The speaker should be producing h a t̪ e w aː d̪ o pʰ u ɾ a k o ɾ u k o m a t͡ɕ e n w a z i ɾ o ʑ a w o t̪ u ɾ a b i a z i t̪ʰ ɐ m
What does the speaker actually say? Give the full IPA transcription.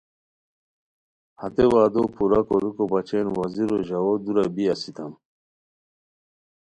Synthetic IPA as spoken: h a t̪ e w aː d̪ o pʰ u ɾ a k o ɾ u k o b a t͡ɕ e n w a z i ɾ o ʑ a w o d̪ u ɾ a b i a s i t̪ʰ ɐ m